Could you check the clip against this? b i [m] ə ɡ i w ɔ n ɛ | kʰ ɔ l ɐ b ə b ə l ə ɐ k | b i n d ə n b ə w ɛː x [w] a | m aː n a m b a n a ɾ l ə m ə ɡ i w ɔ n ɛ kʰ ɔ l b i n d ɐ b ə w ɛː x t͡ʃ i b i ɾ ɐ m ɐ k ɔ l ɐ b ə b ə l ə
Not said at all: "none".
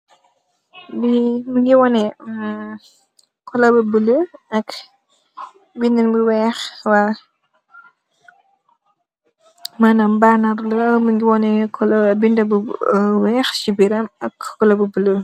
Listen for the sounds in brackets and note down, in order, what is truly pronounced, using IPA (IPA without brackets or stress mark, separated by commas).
m, w